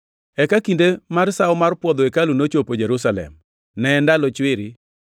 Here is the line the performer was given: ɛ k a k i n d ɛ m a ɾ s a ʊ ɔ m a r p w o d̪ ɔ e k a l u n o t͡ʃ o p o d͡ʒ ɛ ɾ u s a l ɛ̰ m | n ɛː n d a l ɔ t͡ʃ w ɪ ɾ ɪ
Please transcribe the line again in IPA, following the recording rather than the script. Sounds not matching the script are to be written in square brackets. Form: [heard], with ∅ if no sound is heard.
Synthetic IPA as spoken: ɛ k a k i n d [e] m a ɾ s a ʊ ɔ m a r p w [ɔ] d̪ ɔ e k a l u n o t͡ʃ o p o d͡ʒ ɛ ɾ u s a l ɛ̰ m | n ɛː n d a l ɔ t͡ʃ w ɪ ɾ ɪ